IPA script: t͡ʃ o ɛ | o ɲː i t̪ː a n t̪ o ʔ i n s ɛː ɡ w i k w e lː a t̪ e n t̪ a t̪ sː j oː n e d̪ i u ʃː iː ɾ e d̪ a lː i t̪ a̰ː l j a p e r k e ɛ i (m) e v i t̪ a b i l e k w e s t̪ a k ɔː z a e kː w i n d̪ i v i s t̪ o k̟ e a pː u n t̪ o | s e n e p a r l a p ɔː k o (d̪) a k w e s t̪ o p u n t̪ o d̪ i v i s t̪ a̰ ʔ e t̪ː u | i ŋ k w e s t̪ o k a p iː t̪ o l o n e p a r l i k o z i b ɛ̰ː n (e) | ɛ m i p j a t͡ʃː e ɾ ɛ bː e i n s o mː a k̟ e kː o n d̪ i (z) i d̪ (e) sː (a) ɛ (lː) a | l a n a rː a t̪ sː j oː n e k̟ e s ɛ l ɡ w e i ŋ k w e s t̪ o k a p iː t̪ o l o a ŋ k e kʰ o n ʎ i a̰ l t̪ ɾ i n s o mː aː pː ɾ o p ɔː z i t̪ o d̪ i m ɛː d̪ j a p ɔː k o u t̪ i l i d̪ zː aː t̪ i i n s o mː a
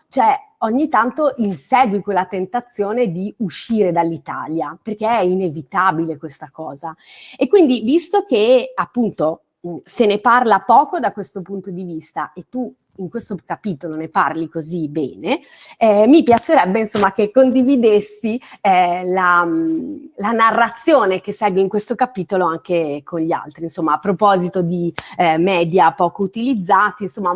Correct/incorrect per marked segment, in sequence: incorrect: n, correct, correct, incorrect: v, correct, incorrect: i, incorrect: l

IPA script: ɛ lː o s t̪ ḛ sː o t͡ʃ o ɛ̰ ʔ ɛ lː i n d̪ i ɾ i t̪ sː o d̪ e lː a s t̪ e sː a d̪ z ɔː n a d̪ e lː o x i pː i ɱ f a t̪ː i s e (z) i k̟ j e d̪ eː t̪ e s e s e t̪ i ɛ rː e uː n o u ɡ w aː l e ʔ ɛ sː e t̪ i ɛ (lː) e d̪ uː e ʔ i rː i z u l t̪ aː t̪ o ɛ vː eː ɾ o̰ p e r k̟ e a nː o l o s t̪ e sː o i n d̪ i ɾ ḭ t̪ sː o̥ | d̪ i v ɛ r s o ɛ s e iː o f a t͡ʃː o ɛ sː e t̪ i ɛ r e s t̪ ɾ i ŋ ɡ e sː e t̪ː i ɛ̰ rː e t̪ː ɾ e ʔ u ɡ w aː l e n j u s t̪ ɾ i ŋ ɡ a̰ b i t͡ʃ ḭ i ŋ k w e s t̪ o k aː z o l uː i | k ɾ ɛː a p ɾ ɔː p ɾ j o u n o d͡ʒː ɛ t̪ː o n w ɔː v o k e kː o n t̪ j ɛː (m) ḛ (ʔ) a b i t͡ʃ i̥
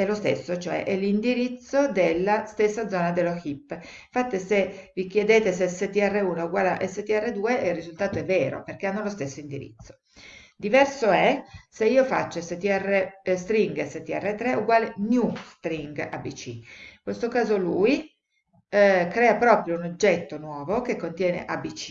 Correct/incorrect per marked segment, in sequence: incorrect: v, incorrect: rː, incorrect: n, correct

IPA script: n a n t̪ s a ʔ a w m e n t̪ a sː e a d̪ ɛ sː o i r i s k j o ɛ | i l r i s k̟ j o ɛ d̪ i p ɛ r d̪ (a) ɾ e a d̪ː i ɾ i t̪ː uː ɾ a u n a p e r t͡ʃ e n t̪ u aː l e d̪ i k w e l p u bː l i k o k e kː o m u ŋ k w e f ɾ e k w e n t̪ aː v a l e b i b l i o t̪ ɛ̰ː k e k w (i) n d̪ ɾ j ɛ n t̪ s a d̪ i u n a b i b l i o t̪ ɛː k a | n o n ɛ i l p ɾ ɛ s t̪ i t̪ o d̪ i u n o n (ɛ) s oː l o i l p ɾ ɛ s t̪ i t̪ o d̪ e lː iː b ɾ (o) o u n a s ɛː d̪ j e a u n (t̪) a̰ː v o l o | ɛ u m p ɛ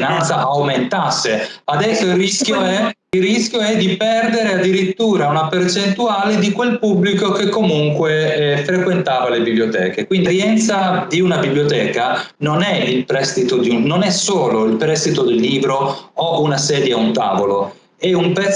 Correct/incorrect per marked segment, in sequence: incorrect: e, correct, correct, correct, correct

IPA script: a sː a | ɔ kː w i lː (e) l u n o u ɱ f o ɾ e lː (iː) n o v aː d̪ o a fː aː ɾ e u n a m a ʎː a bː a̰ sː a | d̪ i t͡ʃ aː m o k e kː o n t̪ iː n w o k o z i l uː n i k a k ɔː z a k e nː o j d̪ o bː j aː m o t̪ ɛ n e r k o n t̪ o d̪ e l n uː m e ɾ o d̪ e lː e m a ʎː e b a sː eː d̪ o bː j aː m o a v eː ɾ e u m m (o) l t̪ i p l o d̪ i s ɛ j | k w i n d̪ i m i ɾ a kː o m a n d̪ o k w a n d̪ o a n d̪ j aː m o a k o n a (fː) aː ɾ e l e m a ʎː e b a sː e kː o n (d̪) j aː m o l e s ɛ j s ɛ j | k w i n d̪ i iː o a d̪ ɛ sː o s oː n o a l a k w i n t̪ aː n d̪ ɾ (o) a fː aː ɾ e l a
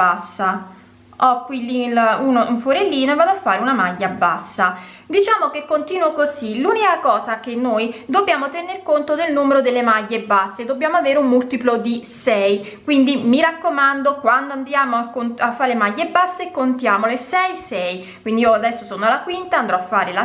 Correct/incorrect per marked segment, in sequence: incorrect: i, correct, incorrect: u, correct, incorrect: t̪, incorrect: ɔ

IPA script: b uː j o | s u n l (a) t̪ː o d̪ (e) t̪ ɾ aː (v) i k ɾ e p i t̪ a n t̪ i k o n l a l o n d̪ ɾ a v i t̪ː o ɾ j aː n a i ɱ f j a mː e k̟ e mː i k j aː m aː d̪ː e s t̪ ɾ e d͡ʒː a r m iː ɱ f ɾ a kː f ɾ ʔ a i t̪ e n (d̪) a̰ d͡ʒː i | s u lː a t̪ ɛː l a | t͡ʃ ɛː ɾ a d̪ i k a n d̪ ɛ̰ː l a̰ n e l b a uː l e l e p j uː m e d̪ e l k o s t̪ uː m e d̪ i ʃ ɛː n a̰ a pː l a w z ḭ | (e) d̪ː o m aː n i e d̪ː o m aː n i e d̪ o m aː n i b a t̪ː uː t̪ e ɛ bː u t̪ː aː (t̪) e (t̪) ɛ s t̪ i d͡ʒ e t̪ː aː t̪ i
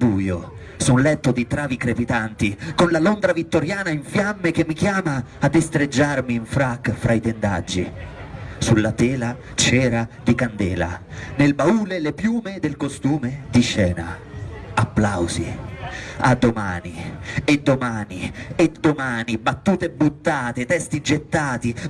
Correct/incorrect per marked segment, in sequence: incorrect: ɛ, incorrect: i, correct, correct, incorrect: a, correct, correct

